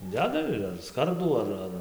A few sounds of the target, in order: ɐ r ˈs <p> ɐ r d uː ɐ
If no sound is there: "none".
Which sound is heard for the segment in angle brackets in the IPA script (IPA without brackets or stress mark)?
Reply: k